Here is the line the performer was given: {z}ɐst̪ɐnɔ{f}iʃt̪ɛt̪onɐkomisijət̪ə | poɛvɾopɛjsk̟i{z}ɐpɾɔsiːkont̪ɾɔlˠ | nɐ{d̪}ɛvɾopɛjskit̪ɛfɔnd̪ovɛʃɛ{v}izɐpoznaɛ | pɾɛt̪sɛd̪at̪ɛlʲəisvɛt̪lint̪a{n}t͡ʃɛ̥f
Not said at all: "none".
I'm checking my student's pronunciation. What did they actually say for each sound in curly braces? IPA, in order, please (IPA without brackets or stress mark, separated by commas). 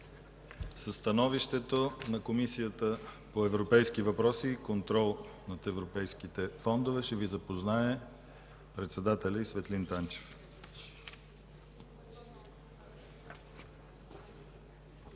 s, v, v, t̪, v, n